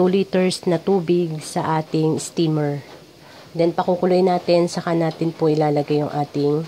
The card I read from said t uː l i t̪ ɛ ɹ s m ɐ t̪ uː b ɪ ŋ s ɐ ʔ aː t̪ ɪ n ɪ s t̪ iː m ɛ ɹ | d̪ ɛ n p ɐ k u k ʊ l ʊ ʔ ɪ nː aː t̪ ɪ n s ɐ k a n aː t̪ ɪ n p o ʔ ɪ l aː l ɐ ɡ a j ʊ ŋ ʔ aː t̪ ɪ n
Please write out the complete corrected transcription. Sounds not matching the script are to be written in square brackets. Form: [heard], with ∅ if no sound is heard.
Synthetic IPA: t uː l i t̪ ɛ ɹ s [n] ɐ t̪ uː b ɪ [ɡ] s ɐ ʔ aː t̪ ɪ [ŋ] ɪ s t̪ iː m ɛ ɹ | d̪ ɛ n p ɐ k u k ʊ l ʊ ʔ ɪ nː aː t̪ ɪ n s ɐ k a n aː t̪ ɪ n p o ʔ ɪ l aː l ɐ ɡ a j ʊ ŋ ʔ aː t̪ ɪ [ŋ]